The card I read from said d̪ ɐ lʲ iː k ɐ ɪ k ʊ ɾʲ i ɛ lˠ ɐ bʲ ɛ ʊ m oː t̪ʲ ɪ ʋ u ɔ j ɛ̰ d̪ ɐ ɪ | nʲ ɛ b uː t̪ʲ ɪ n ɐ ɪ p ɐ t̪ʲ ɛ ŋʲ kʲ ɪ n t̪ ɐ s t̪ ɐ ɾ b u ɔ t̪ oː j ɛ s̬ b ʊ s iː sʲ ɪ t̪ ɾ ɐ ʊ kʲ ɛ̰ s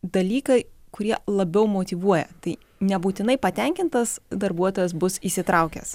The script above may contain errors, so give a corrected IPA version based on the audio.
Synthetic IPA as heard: d̪ ɐ lʲ iː k ɐ ɪ k ʊ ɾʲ i ɛ lˠ ɐ bʲ ɛ ʊ m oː t̪ʲ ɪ ʋ u ɔ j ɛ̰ t̪ ɐ ɪ | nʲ ɛ b uː t̪ʲ ɪ n ɐ ɪ p ɐ t̪ʲ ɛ ŋʲ kʲ ɪ n t̪ ɐ s d̪ ɐ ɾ b u ɔ t̪ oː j ɛ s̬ b ʊ s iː sʲ ɪ t̪ ɾ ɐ ʊ kʲ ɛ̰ s